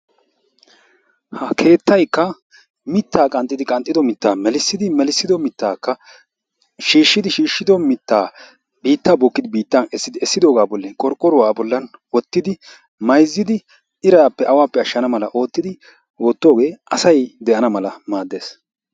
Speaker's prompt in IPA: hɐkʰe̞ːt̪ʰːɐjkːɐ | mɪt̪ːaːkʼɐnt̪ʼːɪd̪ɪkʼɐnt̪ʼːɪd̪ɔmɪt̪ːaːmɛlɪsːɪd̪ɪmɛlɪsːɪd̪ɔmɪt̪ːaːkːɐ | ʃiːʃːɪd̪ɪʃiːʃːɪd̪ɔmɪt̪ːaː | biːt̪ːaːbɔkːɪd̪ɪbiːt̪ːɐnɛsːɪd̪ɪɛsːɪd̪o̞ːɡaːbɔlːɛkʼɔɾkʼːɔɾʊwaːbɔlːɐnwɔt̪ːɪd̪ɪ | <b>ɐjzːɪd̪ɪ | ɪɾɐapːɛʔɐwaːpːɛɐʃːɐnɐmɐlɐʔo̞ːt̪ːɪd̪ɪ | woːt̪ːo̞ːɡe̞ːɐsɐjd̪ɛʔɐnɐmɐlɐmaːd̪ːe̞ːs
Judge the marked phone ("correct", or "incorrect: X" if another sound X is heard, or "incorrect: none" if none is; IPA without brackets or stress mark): incorrect: m